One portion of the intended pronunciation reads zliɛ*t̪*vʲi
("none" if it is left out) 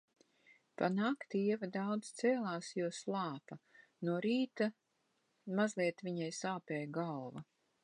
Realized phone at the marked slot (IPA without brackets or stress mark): t̪